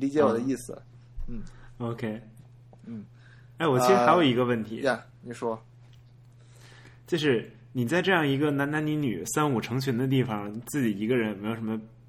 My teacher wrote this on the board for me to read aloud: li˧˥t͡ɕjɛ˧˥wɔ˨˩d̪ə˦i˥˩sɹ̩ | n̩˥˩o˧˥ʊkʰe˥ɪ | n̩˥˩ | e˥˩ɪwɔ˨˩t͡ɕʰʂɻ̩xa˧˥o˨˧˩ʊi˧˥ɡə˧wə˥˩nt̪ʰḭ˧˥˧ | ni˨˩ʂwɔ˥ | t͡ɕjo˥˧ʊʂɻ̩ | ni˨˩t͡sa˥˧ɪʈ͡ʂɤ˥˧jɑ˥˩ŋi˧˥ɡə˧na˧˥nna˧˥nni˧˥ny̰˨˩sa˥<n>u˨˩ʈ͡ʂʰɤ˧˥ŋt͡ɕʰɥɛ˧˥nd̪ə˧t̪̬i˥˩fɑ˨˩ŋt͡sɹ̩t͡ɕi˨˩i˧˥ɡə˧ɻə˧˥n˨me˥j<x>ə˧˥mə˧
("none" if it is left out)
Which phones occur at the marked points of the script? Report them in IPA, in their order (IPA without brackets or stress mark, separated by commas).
n, ʂ